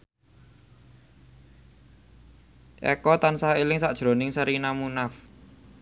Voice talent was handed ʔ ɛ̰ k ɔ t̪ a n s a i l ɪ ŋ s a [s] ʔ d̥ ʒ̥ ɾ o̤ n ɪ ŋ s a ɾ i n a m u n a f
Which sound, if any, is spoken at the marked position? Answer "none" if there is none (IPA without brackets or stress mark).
none